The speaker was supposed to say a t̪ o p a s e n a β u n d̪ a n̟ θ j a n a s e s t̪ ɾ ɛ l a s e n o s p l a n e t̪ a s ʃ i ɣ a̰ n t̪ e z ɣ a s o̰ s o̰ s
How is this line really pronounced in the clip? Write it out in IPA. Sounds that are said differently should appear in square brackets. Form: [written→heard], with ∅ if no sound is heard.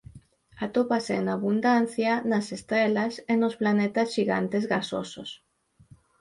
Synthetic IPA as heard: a t̪ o p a s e n a β u n d̪ a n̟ θ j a n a s e s t̪ ɾ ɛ l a s e n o s p l a n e t̪ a s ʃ i ɣ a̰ n t̪ e z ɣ a s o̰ s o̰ s